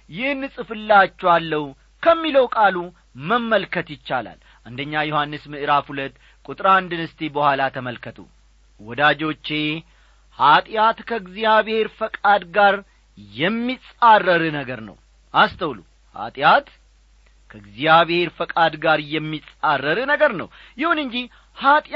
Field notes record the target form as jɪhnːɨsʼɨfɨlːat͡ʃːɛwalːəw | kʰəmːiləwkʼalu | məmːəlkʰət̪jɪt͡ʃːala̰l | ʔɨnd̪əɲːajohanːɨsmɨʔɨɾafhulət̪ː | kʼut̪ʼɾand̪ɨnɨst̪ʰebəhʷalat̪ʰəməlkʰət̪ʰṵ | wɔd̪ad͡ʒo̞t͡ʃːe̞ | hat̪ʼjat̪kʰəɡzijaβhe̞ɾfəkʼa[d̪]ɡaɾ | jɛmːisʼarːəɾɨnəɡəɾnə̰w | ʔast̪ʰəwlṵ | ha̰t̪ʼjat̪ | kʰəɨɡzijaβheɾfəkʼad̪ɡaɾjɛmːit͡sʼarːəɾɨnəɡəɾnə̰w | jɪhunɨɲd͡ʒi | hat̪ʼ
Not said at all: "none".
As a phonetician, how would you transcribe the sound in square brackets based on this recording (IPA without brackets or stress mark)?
d̪